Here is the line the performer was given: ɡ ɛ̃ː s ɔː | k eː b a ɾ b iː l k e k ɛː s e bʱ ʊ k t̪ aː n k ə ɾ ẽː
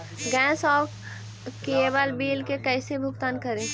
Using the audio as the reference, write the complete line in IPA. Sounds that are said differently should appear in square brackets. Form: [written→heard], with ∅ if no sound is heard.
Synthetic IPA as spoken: ɡ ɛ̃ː s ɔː | k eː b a [ɾ→l] b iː l k e k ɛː s e bʱ ʊ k t̪ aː n k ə ɾ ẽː